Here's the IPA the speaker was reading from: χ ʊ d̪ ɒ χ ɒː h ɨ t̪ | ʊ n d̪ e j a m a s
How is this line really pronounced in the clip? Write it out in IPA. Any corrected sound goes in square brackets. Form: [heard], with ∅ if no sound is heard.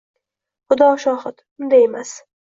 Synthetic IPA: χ ʊ d̪ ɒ [ʃ] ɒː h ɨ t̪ | ʊ n d̪ [a] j [e] m a s